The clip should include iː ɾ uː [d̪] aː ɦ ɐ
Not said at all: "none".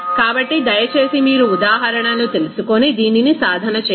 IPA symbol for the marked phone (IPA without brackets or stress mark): d̪